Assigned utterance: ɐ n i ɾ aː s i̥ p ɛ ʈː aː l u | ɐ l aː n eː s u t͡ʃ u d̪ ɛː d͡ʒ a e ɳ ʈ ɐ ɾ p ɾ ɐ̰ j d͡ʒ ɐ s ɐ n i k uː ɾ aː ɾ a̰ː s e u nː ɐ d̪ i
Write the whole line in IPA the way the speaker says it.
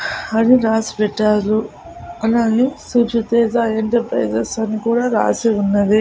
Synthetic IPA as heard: ɐ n i ɾ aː s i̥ p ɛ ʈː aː l u | ɐ l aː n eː s u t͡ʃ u t̪ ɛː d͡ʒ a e ɳ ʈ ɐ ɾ p ɾ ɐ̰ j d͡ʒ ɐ s ɐ n i k uː ɽ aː ɾ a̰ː s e u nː ɐ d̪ i